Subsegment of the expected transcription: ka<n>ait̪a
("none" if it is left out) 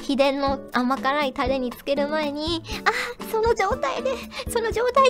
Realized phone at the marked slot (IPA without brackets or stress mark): n